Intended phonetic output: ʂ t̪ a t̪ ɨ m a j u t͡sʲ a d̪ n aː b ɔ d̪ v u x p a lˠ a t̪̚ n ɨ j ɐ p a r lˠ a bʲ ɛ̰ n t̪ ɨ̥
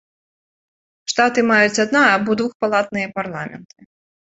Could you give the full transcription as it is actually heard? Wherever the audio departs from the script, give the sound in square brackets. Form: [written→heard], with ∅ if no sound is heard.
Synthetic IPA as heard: ʂ t̪ a t̪ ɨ m a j u t͡sʲ a d̪ n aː b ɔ d̪ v u x p a lˠ a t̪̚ n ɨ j ɐ p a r lˠ a [bʲ→mʲ] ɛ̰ n t̪ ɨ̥